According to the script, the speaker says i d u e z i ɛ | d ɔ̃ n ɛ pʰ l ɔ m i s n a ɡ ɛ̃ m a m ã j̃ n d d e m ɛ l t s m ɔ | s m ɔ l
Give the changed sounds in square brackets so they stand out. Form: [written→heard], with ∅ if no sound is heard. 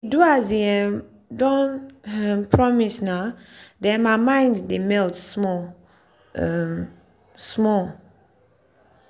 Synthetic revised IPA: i d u [e→a] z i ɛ | d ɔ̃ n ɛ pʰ [l→ɹ] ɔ m i s n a [ɡ→d] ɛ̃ m a m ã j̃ n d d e m ɛ l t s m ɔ | s m ɔ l